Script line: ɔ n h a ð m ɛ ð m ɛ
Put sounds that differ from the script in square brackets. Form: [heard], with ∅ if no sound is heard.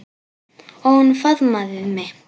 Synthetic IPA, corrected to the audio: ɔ n [f] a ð m [a] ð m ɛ